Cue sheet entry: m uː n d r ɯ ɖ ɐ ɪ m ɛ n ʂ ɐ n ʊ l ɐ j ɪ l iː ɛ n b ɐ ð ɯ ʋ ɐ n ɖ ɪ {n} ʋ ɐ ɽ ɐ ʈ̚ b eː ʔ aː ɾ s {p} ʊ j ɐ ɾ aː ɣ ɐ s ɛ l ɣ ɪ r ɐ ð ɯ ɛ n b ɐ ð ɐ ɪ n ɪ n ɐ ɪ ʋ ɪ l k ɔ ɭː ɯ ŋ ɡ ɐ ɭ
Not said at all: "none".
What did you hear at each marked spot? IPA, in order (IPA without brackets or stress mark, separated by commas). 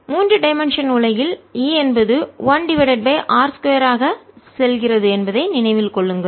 none, k